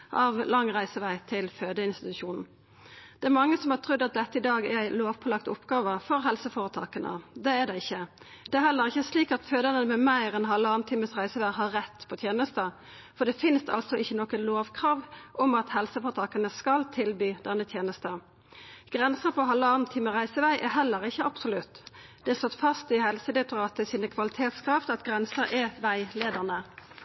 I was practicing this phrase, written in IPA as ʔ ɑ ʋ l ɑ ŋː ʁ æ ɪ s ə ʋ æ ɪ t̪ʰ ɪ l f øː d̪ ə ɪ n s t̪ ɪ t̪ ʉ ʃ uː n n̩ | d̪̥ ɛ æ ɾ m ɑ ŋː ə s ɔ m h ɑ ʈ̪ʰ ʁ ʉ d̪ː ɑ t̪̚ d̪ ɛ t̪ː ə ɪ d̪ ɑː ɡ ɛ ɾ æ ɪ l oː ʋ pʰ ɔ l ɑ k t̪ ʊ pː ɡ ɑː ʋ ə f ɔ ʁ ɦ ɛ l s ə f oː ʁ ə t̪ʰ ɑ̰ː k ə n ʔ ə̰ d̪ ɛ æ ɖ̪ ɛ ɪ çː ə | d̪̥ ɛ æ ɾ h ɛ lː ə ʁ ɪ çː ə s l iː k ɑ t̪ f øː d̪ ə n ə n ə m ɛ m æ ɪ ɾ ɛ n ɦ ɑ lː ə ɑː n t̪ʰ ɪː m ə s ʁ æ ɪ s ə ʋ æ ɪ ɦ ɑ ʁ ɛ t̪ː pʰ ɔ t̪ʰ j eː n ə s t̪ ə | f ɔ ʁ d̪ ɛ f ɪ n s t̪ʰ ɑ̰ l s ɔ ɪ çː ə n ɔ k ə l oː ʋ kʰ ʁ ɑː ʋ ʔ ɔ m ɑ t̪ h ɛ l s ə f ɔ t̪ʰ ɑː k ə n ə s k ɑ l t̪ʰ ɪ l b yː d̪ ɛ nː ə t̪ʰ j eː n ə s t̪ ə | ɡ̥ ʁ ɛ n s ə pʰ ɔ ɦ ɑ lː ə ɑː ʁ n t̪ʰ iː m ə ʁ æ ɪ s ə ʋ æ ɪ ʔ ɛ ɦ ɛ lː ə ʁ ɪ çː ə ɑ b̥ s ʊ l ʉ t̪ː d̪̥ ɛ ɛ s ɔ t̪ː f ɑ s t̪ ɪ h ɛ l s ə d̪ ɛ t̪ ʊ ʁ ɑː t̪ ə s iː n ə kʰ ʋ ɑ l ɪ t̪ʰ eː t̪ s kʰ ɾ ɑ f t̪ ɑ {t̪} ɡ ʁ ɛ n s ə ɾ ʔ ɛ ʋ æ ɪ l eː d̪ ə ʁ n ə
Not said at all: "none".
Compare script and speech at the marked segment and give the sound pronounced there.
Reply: t̪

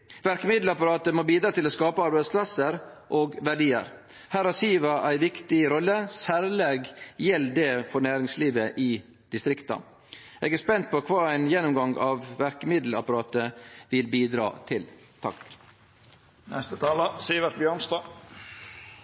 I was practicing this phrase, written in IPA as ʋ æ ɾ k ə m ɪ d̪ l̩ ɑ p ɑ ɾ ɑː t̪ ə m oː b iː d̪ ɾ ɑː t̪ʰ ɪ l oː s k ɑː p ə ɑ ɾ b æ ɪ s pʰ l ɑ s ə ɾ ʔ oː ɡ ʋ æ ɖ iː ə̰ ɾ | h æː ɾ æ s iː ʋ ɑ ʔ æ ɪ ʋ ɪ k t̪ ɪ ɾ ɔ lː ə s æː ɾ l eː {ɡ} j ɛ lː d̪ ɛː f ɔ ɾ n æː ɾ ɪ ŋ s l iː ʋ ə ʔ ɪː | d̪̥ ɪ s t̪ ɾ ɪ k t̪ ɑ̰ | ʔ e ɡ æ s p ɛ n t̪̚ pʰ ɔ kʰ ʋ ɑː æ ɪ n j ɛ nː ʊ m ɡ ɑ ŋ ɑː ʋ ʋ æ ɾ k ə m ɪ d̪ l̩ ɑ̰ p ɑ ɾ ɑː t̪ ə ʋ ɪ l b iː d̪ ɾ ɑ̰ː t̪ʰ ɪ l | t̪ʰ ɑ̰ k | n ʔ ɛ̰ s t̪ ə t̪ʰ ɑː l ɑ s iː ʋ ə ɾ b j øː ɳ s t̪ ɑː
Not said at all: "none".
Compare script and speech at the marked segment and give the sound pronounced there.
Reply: ɡ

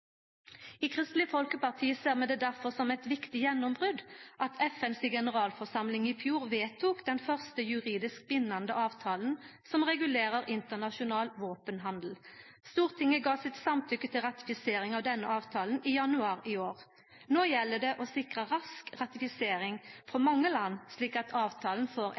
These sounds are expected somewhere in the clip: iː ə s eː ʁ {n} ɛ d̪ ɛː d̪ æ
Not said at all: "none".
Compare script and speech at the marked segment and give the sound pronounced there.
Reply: m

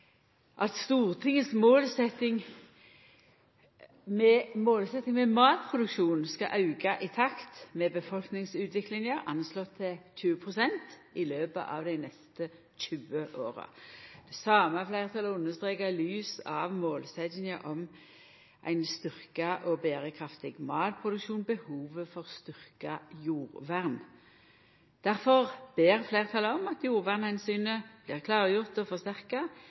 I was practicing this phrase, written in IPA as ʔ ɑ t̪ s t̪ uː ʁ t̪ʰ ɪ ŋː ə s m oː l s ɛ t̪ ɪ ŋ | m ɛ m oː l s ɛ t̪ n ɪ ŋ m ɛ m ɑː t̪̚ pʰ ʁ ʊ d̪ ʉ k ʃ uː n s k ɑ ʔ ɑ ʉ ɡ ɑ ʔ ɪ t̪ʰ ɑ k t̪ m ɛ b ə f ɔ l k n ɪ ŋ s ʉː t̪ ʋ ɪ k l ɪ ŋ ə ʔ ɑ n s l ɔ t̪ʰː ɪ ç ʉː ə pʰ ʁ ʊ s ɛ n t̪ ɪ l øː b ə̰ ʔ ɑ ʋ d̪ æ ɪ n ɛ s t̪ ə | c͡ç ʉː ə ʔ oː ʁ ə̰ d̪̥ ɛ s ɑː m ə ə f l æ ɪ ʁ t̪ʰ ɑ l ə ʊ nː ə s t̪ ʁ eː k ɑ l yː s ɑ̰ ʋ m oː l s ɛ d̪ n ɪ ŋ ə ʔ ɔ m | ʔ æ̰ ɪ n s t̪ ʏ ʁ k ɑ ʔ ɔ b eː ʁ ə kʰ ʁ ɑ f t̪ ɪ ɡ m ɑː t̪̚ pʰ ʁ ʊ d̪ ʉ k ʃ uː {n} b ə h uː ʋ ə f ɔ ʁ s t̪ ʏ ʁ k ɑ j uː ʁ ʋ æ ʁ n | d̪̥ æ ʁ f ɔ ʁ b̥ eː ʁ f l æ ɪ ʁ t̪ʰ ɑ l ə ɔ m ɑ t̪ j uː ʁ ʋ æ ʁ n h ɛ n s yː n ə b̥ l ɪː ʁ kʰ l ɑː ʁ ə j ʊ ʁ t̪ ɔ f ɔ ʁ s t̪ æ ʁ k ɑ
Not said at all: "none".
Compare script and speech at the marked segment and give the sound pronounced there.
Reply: n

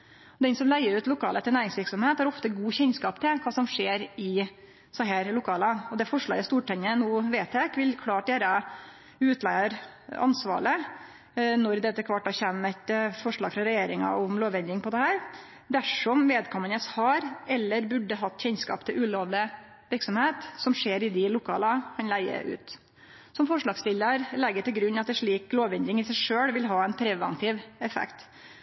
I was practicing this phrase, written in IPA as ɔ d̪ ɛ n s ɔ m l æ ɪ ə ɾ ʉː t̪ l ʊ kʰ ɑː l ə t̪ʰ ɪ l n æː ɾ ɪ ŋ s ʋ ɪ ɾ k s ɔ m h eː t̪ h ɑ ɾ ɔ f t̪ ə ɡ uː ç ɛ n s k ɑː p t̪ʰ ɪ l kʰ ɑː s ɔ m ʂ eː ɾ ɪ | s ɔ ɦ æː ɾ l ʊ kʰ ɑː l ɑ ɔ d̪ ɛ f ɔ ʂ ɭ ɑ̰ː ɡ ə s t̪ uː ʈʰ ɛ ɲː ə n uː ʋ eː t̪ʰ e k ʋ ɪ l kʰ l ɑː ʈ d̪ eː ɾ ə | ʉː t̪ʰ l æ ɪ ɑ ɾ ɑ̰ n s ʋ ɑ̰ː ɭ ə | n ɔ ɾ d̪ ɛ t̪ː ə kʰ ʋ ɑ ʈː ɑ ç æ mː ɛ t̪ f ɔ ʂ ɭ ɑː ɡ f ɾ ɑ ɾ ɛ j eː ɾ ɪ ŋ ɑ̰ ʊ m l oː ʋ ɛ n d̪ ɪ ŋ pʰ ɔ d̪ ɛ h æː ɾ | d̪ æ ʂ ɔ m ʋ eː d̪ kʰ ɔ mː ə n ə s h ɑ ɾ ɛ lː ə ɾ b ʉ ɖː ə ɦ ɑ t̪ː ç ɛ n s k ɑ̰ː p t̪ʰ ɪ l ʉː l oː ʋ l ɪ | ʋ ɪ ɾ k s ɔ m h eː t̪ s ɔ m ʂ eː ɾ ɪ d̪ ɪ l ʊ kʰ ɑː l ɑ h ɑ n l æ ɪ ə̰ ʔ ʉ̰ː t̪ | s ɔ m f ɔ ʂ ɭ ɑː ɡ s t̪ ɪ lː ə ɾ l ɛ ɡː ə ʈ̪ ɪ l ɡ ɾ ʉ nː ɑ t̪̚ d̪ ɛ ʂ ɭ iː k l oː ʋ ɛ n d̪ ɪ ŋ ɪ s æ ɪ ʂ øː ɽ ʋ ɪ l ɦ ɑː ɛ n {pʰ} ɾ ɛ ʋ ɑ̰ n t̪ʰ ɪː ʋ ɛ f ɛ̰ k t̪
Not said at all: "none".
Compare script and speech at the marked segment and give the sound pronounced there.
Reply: pʰ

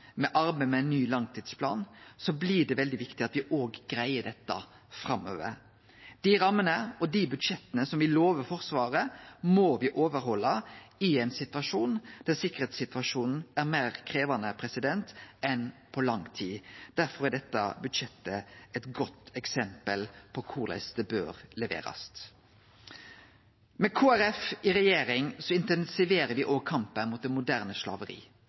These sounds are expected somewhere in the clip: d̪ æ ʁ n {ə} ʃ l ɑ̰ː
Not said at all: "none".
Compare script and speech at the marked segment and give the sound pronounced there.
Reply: ə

